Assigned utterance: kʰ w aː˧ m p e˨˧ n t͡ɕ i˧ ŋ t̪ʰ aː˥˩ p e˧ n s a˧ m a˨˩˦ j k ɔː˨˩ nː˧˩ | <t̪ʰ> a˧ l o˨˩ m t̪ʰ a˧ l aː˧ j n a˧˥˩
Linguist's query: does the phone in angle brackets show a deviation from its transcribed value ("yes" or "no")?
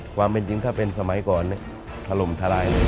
no